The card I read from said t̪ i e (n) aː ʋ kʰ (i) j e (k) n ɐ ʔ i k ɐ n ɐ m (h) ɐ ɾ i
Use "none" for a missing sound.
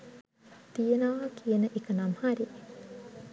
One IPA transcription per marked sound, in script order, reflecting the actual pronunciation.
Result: n, i, none, h

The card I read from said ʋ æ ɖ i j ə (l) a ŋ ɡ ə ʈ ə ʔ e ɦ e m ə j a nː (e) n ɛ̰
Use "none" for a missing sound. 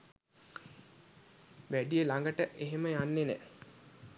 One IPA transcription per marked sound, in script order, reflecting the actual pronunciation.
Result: l, e

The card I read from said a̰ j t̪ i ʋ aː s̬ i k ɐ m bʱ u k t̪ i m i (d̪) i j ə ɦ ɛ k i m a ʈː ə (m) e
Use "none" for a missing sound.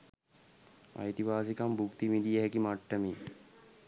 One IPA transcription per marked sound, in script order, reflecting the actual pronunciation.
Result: d̪, m

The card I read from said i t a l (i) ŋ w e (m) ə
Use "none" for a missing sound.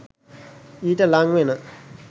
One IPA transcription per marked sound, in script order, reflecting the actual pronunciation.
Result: a, n

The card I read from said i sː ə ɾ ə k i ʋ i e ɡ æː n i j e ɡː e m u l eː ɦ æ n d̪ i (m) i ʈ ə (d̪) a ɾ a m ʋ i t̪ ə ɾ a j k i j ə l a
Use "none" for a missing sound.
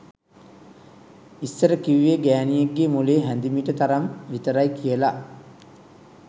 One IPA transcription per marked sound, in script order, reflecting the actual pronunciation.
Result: m, t̪

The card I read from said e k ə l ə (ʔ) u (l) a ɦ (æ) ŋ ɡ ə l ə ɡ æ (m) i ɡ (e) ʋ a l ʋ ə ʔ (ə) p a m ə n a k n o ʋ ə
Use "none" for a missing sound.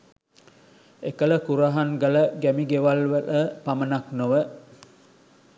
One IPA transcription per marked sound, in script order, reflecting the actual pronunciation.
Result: k, ɾ, a, m, e, ə

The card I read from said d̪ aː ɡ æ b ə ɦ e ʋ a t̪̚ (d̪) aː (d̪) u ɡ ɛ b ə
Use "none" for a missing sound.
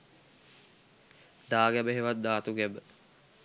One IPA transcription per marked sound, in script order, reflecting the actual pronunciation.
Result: d̪, t̪

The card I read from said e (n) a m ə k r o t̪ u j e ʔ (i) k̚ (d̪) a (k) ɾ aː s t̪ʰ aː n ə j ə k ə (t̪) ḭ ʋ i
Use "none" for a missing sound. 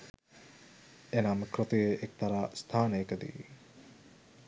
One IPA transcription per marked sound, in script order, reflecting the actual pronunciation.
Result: n, e, t̪, none, d̪

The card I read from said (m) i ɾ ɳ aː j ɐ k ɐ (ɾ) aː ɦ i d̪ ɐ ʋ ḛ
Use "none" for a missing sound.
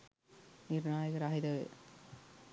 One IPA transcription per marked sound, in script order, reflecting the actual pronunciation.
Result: n, ɾ

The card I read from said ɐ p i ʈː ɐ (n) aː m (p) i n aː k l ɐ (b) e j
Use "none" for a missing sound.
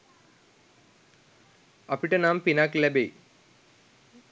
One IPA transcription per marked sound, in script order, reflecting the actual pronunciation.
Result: n, p, b

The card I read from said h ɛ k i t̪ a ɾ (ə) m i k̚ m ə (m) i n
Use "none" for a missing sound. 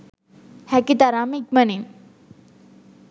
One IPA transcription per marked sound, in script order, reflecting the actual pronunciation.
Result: a, n

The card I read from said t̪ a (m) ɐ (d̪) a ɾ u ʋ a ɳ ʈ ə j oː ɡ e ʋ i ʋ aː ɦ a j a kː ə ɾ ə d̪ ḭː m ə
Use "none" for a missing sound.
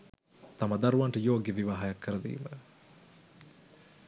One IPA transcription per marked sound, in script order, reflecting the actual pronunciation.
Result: m, d̪

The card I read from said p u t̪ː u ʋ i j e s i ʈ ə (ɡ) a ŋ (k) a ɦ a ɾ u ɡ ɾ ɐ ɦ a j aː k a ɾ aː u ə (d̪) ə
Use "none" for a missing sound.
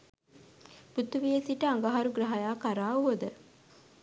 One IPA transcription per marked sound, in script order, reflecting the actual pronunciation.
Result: none, ɡ, d̪

